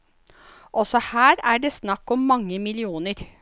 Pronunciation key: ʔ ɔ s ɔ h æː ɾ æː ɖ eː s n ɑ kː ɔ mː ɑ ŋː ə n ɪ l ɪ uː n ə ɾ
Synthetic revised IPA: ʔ ɔ s ɔ h æː ɾ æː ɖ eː s n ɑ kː ɔ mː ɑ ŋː ə m ɪ l ɪ uː n ə ɾ